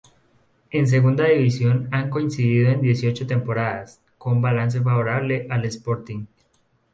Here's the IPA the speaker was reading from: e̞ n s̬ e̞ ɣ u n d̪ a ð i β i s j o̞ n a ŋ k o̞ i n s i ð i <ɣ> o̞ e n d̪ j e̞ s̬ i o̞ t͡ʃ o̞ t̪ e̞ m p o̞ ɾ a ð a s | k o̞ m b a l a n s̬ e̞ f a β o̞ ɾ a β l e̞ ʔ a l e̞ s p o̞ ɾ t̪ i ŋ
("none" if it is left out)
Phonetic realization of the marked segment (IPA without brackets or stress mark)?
ð